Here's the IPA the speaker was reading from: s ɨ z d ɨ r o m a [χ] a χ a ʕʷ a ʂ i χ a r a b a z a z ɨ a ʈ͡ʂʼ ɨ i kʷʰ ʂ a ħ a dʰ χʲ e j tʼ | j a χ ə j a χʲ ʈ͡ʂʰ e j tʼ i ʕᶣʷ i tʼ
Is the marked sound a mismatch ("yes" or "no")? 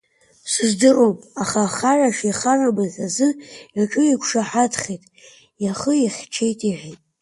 no